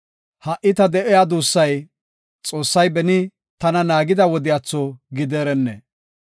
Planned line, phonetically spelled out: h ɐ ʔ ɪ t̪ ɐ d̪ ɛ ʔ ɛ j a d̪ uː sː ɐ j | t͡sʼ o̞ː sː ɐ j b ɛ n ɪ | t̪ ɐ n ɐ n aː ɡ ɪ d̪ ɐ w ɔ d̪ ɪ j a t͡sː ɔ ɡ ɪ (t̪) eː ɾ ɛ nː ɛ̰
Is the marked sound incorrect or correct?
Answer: incorrect